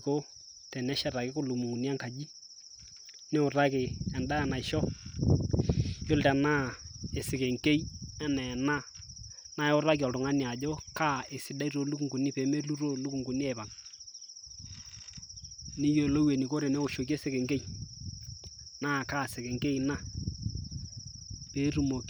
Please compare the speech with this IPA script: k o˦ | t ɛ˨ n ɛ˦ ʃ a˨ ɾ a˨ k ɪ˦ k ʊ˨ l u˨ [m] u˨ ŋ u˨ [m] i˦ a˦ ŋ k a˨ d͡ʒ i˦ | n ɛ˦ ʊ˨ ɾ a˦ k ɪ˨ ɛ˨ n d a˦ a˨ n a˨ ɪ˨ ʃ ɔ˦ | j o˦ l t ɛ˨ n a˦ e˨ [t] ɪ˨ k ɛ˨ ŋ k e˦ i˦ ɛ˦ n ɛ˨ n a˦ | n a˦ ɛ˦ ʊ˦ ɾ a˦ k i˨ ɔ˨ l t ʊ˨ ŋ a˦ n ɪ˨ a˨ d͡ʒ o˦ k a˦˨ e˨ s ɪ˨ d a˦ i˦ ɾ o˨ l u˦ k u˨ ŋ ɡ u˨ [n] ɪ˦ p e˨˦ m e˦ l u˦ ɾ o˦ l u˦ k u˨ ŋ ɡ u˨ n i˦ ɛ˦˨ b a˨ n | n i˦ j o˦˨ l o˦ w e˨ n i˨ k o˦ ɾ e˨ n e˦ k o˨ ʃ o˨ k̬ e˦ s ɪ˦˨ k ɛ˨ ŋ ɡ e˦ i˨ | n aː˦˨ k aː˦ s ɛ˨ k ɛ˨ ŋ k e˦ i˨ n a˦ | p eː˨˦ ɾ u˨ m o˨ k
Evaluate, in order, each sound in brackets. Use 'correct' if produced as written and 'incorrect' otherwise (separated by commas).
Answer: correct, incorrect, incorrect, correct